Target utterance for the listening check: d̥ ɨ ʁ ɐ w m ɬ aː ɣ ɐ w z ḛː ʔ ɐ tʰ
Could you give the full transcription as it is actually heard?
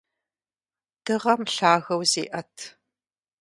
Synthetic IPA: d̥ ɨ ʁ ɐ m ɬ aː ɣ ɐ w z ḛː ʔ ɐ tʰ

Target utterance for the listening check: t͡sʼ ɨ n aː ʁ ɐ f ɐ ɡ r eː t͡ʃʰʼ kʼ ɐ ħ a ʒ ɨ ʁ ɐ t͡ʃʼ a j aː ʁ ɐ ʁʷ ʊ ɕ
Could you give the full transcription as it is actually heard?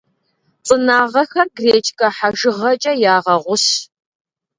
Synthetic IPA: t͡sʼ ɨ n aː ʁ ɐ x ɐ ɡ r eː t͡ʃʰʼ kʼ ɐ ħ a ʒ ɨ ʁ ɐ t͡ʃʼ ɐ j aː ʁ ɐ ʁʷ ʊ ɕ

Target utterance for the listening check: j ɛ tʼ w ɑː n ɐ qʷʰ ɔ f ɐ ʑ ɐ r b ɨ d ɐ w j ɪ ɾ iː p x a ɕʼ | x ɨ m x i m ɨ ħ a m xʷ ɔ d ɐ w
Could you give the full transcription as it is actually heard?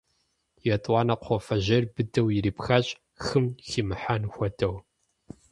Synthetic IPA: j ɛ tʼ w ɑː n ɐ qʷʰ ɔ f ɐ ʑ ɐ r b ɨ d ɐ w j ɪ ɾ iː p x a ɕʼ | x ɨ m x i m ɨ ħ a n xʷ ɔ d ɐ w

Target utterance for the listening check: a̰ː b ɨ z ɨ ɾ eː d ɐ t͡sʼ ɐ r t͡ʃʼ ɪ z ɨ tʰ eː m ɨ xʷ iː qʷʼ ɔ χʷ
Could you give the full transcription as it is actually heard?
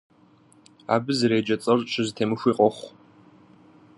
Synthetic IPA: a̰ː b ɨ z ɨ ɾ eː d͡ʒ ɐ t͡sʼ ɐ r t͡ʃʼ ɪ z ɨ tʰ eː m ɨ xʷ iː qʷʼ ɔ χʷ

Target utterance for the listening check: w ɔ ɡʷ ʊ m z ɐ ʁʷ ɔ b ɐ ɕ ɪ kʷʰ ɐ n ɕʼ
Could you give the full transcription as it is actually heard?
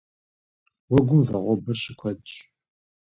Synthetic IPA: w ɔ ɡʷ ʊ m v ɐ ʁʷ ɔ b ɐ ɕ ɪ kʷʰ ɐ d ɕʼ

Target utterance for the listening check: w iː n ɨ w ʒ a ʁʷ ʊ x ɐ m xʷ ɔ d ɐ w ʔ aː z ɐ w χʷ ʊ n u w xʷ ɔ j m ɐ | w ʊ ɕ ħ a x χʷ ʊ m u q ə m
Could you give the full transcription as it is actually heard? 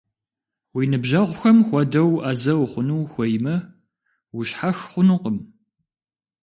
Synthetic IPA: w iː n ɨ b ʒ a ʁʷ ʊ x ɐ m xʷ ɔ d ɐ w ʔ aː z ɐ w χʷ ʊ n u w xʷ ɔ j m ɐ | w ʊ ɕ ħ a x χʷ ʊ n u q ə m

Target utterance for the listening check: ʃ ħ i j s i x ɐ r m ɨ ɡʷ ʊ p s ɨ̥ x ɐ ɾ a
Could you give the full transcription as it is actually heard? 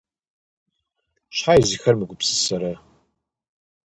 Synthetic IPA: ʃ ħ a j z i x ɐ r m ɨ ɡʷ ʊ p s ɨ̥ s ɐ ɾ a

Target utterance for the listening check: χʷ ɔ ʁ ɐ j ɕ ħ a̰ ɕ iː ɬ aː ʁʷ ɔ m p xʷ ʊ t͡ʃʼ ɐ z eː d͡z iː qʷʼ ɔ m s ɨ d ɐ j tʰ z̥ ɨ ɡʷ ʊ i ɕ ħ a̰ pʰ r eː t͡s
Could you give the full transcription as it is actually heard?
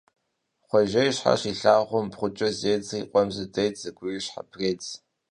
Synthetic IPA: χʷ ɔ ʒ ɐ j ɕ ħ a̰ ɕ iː ɬ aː ʁʷ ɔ m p χʷ ʊ t͡ʃʼ ɐ z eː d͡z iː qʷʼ ɔ m z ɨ d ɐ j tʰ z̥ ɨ ɡʷ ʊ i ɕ ħ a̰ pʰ r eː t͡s

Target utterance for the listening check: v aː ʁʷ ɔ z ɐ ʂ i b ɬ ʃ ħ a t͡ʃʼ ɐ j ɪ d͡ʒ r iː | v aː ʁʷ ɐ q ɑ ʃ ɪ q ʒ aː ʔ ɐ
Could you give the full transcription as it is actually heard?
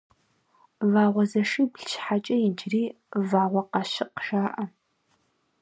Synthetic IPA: v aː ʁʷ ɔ z ɐ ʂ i b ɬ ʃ ħ a t͡ʃʼ ɐ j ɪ d͡ʒ r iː | v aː ʁʷ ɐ q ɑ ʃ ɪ q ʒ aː ʔ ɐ

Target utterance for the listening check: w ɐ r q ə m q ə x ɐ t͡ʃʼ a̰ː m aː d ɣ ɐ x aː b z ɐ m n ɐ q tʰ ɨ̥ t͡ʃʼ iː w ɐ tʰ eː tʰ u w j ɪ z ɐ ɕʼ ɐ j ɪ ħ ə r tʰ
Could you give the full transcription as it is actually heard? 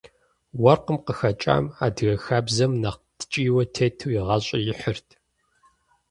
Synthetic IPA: w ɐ r q ə m q ə x ɐ t͡ʃʼ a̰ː m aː d ɣ ɐ x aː b z ɐ m n ɐ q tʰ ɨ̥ t͡ʃʼ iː w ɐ tʰ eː tʰ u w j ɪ ʁ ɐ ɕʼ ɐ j ɪ ħ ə r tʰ

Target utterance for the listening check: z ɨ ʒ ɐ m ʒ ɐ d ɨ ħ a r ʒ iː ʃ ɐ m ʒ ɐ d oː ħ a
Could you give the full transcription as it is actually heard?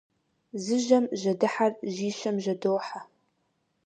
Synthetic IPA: z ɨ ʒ ɐ m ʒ ɐ d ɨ ħ a r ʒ iː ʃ ɐ m ʒ ɐ d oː ħ a

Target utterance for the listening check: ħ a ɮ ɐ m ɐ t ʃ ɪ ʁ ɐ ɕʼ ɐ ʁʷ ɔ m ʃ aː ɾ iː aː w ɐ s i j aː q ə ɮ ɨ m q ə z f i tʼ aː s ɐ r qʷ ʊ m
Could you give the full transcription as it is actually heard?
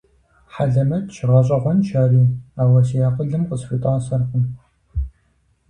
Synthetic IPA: ħ a ɮ ɐ m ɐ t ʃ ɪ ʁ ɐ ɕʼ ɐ ʁʷ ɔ n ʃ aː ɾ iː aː w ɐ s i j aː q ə ɮ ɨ m q ə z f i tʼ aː s ɐ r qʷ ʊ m

